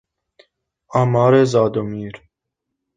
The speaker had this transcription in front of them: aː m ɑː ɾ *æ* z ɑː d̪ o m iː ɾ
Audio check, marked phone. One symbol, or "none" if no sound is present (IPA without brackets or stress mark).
e